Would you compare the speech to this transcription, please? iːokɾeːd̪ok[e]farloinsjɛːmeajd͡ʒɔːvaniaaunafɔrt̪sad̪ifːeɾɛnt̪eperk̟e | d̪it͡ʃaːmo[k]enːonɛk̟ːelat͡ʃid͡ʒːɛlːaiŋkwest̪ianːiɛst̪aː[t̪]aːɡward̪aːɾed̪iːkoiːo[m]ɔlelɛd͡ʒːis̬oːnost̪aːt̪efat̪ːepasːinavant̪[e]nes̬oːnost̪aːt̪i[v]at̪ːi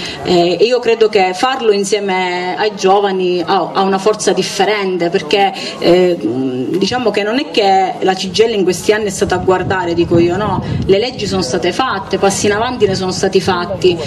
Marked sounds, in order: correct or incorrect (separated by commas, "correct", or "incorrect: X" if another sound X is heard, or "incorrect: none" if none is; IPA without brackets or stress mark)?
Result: correct, correct, correct, incorrect: n, incorrect: i, incorrect: f